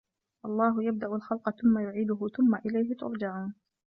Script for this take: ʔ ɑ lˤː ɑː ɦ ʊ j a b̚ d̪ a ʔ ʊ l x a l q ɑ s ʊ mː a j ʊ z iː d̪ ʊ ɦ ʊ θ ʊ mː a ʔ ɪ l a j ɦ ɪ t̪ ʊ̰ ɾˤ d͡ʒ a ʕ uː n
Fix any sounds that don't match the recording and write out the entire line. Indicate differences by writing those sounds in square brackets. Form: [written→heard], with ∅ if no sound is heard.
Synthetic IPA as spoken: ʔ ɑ lˤː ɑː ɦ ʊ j a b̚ d̪ a ʔ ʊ l x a l q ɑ [s→θ] ʊ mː a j ʊ [z→ʕ] iː d̪ ʊ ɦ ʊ θ ʊ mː a ʔ ɪ l a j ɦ ɪ t̪ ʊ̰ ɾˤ d͡ʒ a ʕ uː n